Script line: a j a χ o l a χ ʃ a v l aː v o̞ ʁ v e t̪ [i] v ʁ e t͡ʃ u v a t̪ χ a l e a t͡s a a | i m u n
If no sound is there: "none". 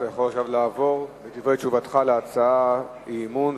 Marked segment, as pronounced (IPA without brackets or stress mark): i